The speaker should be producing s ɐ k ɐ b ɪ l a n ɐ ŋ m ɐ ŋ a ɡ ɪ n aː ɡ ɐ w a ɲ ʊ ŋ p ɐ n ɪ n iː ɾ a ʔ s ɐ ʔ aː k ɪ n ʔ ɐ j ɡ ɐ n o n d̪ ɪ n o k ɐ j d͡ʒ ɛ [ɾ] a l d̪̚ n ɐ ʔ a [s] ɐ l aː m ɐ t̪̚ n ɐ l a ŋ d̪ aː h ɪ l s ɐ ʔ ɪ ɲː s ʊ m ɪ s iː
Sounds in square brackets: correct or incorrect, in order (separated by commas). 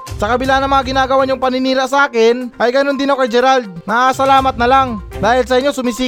correct, correct